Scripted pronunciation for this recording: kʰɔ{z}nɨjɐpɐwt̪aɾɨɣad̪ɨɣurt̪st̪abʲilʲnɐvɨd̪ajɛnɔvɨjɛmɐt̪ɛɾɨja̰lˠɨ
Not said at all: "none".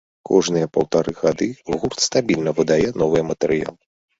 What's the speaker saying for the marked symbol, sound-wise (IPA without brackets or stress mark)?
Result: ʐ